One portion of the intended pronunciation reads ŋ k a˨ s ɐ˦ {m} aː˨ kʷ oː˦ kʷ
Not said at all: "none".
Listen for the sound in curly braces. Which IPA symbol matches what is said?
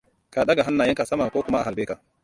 m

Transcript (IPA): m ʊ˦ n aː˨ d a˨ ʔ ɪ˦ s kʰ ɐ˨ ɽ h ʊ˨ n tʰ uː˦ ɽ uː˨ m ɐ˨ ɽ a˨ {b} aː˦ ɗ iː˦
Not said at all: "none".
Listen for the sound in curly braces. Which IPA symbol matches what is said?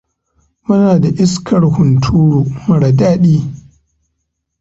d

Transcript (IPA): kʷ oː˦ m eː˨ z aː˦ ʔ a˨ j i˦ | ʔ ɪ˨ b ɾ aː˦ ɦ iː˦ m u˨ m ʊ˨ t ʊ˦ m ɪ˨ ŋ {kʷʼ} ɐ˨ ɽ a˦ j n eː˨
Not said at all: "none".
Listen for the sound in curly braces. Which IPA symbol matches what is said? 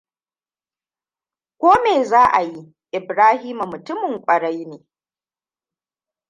kʷʼ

